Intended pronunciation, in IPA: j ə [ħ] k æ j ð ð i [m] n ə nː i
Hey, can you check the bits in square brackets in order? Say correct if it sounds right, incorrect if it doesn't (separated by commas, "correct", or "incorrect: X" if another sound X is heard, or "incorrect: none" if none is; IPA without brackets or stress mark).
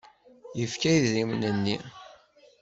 incorrect: f, correct